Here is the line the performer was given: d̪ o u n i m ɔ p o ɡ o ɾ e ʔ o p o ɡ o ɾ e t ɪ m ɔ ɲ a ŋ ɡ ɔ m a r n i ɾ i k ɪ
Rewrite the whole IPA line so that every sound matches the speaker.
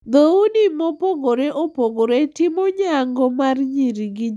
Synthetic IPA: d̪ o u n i m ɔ p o ɡ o ɾ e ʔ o p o ɡ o ɾ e t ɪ m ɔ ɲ a ŋ ɡ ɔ m a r ɲ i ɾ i ɡ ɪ